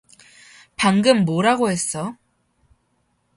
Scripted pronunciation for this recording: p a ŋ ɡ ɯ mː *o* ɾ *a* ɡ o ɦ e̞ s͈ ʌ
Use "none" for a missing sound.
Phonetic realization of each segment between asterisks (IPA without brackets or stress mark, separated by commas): o, a